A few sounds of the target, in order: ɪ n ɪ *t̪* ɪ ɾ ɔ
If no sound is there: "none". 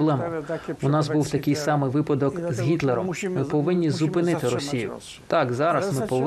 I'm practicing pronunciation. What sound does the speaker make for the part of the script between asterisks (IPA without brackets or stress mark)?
t̪